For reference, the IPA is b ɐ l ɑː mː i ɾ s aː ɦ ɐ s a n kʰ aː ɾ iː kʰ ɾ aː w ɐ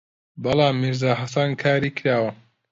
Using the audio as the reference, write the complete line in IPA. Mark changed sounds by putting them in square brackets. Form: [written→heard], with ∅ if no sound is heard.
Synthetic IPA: b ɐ l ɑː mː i ɾ [s→z] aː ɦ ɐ s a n kʰ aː ɾ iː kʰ ɾ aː w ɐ